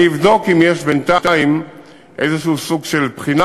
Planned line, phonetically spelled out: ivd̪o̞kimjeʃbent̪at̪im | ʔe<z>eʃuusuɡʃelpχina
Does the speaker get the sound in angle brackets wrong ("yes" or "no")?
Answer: no